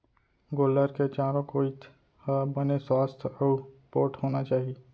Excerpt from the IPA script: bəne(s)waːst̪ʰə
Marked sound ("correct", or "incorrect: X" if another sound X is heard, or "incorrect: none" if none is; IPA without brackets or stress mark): correct